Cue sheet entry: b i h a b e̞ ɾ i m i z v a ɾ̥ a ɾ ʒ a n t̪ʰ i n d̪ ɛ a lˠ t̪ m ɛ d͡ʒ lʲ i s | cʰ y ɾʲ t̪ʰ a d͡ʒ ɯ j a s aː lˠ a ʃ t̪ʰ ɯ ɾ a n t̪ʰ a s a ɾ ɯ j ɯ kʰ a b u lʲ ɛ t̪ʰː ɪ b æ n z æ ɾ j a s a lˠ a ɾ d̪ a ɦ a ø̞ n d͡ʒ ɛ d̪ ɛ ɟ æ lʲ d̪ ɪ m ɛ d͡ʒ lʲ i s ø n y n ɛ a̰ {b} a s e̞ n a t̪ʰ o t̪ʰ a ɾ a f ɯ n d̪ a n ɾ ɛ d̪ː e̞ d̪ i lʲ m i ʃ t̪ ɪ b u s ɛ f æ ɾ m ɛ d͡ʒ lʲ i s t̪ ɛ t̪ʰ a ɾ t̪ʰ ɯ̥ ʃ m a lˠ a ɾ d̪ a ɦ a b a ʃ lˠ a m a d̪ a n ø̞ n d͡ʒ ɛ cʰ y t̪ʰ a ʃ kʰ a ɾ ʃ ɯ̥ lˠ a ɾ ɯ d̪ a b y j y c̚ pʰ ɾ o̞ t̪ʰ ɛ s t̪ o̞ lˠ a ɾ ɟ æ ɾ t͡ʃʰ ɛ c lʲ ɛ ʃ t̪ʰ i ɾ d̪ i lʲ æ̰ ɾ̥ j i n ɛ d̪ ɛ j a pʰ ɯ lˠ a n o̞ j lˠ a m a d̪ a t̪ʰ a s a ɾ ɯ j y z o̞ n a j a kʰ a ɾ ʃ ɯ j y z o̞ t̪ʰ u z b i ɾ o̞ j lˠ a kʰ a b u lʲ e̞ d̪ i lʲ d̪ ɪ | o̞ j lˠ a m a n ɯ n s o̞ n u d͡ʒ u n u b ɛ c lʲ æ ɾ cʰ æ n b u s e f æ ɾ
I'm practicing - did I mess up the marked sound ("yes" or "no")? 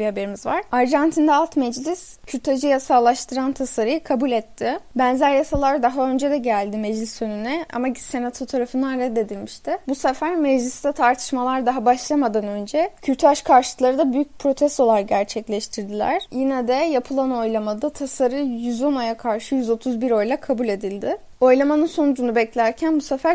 yes